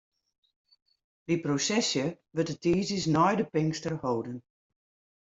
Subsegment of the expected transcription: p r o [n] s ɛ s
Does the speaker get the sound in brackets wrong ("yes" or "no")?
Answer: yes